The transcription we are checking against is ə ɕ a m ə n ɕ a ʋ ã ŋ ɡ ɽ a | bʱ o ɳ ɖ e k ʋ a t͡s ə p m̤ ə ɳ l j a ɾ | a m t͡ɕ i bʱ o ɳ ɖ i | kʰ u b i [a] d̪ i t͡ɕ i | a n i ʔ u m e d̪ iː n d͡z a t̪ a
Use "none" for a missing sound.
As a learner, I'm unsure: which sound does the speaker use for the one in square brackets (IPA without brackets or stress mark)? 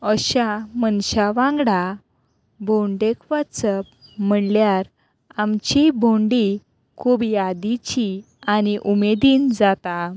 a